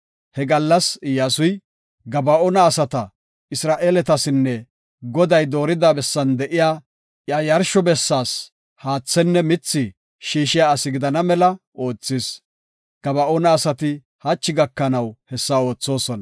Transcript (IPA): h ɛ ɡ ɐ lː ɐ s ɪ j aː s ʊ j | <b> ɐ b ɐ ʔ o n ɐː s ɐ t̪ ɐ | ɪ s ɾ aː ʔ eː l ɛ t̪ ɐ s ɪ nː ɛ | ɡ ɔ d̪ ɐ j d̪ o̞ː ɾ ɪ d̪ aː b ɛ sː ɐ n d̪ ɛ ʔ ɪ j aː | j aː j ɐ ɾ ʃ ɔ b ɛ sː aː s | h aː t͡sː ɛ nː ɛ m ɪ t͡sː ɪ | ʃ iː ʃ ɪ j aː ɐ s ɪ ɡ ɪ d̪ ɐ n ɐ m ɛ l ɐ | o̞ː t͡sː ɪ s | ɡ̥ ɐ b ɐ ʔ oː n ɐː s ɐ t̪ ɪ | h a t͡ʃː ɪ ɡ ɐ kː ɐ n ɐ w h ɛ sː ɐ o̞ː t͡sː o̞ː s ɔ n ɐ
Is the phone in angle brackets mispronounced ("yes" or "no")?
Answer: yes